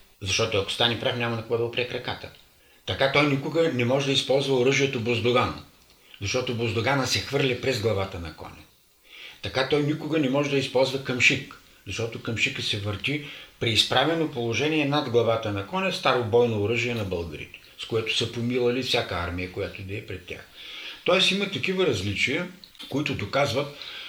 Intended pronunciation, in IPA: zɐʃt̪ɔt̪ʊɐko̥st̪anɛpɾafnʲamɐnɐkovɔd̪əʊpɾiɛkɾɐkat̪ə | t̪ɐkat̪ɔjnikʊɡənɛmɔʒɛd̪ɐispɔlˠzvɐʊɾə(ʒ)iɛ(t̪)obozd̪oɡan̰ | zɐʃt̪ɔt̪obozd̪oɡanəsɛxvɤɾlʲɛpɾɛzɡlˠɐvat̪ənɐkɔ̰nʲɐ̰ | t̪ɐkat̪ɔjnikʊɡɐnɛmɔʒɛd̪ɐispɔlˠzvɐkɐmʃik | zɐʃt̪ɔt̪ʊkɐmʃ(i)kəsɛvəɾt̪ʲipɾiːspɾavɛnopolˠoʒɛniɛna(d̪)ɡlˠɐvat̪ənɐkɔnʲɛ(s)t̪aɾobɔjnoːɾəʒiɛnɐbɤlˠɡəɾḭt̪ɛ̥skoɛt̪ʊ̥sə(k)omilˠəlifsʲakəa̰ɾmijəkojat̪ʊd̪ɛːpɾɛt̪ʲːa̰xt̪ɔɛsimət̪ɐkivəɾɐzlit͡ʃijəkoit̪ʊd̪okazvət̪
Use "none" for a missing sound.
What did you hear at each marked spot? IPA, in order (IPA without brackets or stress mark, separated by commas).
ʒ, t̪, i, d̪, s, p